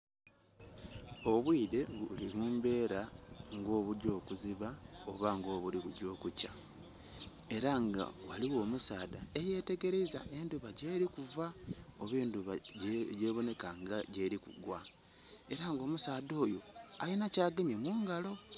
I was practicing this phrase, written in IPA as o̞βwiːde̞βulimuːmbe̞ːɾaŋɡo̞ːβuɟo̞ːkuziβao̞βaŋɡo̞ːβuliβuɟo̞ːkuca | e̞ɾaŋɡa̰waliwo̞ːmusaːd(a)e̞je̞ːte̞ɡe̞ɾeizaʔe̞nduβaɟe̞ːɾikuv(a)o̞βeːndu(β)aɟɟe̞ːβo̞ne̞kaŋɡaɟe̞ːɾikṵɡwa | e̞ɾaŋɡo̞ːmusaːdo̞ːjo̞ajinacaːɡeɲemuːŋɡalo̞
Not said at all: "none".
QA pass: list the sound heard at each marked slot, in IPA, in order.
a, a, β

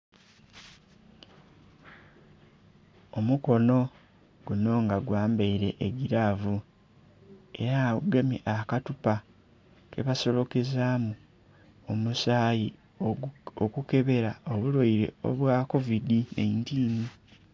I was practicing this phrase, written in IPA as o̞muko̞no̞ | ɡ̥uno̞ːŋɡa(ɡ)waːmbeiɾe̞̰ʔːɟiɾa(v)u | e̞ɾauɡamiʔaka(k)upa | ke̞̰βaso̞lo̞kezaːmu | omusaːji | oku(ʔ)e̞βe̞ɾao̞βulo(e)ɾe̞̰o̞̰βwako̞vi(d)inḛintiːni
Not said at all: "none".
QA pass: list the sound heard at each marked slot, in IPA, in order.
ɡ, v, t, k, i, d

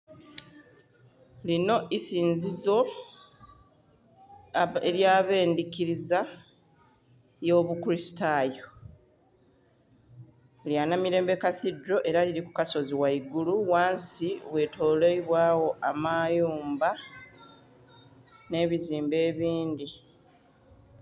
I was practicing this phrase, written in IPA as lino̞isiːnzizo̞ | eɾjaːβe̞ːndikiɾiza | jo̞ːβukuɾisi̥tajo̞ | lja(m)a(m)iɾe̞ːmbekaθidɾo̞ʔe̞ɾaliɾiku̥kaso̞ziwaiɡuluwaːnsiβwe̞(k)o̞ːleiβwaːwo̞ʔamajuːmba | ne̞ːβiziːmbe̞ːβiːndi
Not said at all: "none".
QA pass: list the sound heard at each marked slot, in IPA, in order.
n, m, t

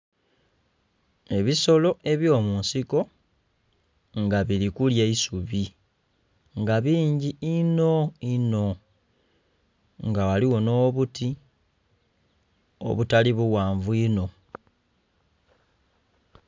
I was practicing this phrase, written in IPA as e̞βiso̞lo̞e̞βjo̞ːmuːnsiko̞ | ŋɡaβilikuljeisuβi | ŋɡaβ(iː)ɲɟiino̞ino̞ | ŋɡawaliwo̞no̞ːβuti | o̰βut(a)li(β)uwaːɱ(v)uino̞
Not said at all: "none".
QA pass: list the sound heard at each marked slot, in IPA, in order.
iː, a, β, v

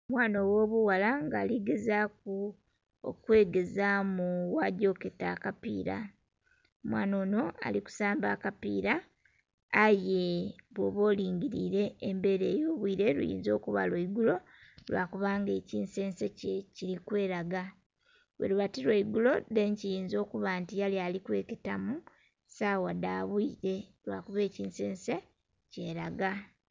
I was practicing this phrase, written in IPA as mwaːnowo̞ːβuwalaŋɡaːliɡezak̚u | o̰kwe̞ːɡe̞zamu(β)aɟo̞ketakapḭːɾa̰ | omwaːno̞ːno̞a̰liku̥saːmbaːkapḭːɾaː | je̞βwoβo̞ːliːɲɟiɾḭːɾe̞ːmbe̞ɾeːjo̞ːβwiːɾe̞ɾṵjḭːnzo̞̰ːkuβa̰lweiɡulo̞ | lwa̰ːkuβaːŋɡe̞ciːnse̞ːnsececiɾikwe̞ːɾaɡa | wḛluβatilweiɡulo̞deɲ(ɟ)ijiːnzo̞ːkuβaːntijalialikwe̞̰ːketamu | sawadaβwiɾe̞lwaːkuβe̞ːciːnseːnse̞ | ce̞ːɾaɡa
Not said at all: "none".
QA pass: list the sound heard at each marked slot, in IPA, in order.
w, c

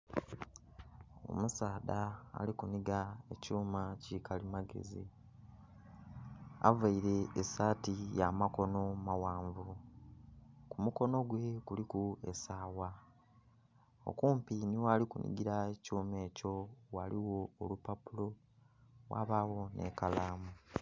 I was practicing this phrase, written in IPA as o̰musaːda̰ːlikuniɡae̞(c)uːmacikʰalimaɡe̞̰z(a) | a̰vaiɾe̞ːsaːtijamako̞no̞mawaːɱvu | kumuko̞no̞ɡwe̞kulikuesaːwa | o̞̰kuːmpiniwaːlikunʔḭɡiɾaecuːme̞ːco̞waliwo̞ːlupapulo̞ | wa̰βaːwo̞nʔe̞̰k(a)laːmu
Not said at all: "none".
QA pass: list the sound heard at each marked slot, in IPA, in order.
c, i, a

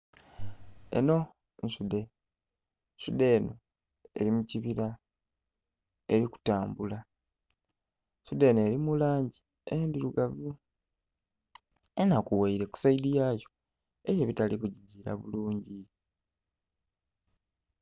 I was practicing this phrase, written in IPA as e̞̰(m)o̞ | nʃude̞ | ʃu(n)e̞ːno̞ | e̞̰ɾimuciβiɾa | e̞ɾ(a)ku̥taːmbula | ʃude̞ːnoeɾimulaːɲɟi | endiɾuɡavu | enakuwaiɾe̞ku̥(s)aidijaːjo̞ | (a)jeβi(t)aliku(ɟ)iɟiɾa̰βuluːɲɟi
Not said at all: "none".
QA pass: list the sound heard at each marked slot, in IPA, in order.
n, d, i, s, e, t, ɟ

